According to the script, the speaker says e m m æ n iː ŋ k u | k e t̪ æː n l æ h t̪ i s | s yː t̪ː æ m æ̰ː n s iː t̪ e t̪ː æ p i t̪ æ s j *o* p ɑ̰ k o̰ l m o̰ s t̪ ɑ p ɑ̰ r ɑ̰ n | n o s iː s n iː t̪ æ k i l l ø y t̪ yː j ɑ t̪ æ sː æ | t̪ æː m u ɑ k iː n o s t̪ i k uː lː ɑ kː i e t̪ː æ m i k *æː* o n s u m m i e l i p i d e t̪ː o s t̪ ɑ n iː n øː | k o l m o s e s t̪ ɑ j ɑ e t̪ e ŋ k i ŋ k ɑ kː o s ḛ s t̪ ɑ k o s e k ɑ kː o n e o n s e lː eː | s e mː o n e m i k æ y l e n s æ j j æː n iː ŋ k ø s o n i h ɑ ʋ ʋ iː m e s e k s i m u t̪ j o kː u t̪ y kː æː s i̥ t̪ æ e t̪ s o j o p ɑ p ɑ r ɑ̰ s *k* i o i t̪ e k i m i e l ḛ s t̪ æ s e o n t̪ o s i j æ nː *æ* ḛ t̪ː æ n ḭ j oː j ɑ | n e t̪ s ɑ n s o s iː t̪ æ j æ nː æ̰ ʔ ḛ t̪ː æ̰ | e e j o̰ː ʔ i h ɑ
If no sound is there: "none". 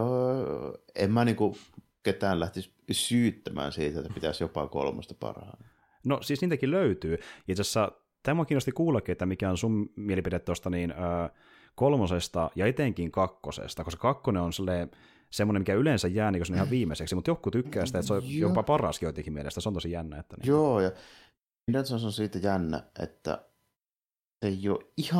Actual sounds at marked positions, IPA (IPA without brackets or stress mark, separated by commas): o, æ, k, æ